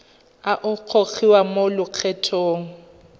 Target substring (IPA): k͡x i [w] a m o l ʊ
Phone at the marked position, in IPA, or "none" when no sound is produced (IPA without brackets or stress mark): w